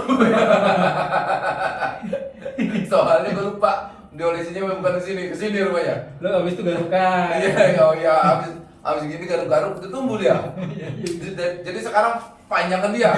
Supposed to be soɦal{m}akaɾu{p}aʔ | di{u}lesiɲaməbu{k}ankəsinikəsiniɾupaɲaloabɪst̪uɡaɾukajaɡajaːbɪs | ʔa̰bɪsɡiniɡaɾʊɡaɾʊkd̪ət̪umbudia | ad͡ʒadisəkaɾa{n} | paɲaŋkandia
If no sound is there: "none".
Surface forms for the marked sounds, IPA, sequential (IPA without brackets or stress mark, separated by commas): ɲ, p, o, k, ŋ